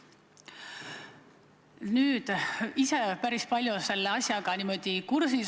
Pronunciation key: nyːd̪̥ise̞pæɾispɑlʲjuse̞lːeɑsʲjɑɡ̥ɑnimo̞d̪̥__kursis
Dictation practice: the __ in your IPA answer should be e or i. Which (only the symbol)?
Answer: i